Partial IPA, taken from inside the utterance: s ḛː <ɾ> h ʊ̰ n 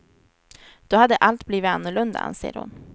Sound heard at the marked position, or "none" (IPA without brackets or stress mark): ɾ